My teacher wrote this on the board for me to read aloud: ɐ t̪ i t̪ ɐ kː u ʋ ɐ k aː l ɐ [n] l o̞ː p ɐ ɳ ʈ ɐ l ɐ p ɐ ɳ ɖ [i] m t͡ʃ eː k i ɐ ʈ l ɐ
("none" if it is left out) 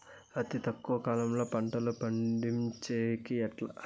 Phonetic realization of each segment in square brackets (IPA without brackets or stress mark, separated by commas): m, i